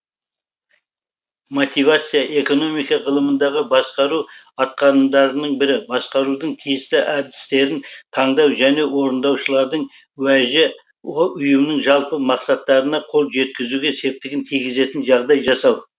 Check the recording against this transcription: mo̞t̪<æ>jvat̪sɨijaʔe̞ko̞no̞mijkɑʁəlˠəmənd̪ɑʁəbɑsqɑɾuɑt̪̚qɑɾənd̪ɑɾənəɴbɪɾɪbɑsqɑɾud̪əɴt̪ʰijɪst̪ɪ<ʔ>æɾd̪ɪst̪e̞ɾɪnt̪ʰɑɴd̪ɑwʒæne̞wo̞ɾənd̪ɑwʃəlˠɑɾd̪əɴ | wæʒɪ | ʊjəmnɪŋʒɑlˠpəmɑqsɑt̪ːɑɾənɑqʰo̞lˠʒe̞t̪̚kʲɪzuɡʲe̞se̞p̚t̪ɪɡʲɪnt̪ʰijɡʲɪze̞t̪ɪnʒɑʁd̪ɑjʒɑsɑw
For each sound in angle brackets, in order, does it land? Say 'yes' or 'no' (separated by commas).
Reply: no, yes